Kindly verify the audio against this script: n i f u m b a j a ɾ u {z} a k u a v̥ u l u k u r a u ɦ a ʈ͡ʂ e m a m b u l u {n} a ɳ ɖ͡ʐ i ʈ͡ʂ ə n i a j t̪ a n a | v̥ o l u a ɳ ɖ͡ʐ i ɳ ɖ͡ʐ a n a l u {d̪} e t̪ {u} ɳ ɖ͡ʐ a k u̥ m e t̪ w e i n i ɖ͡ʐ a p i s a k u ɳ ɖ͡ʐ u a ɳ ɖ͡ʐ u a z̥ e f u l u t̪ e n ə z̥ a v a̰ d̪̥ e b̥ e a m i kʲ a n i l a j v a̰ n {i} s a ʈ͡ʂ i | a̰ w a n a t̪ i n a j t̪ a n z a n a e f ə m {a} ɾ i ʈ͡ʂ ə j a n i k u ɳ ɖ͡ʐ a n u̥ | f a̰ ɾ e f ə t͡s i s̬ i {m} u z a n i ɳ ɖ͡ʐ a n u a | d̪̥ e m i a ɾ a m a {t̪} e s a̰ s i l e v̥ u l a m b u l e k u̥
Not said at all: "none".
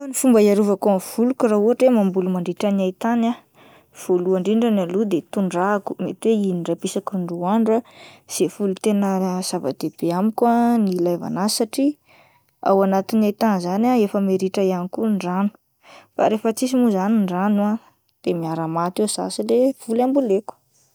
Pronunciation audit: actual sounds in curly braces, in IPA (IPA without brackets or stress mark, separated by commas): v, m, d̪, u, a, e, m, t̪